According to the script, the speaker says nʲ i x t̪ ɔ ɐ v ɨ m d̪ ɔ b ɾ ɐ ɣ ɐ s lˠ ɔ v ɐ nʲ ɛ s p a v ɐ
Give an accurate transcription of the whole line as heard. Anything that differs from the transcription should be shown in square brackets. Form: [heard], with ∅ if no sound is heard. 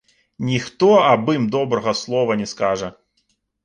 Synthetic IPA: nʲ i x t̪ ɔ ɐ [b] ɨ m d̪ ɔ b ɾ ɐ ɣ ɐ s lˠ ɔ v ɐ nʲ ɛ s [k] a [ʐ] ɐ